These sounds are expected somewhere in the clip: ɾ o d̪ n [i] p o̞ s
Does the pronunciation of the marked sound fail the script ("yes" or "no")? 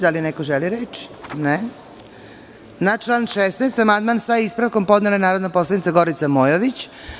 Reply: yes